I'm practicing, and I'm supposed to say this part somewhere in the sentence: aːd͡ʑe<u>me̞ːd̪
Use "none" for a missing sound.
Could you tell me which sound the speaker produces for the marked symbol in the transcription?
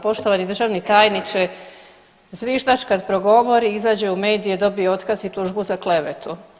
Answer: u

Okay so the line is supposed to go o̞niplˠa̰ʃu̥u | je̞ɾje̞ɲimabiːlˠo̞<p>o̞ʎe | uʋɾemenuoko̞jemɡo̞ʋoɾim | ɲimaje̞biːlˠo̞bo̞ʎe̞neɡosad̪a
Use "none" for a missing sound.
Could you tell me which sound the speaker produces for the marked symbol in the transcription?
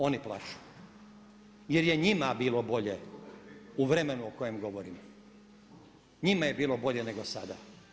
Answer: b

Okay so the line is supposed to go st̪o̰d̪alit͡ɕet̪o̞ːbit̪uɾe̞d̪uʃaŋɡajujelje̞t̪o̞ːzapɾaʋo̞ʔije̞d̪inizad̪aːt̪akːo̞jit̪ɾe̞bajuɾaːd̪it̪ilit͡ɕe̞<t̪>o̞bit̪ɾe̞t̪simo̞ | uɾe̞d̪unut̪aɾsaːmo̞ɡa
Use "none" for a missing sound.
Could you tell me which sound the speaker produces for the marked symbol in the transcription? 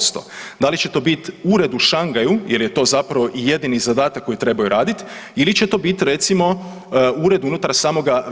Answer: t̪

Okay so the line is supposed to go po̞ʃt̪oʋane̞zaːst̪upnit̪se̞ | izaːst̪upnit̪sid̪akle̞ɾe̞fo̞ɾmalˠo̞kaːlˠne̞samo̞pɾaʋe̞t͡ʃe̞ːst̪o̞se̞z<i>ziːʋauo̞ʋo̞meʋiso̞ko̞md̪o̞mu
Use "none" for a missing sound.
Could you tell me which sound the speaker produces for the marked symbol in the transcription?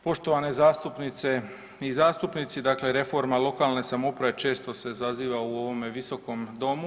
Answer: a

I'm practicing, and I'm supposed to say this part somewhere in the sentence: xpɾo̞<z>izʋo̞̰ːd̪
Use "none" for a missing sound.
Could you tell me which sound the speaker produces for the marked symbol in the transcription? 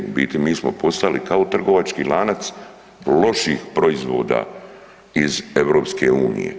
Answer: none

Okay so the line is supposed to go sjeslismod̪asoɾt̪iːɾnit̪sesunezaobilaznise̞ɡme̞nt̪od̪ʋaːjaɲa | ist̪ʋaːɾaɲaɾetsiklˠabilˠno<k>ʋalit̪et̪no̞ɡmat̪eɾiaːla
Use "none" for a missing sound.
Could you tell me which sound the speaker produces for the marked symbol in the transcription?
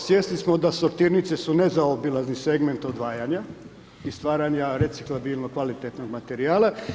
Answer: k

